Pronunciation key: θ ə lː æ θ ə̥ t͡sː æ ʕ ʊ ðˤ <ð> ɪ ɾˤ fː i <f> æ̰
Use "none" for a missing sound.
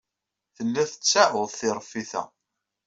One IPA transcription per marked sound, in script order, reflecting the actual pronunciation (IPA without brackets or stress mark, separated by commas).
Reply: θ, θ